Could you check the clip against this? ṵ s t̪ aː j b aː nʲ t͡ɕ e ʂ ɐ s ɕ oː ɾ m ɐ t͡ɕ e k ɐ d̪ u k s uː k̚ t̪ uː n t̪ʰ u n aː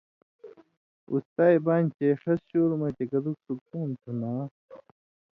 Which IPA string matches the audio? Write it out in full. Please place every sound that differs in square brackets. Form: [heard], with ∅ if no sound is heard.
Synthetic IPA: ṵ s t̪ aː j b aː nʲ t͡ɕ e ʂ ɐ s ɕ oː ɾ m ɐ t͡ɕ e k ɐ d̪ u k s [u] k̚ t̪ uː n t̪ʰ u n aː